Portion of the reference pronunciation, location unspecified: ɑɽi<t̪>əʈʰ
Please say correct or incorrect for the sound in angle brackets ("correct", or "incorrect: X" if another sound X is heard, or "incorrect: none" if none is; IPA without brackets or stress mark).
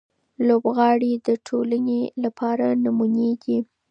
incorrect: d̪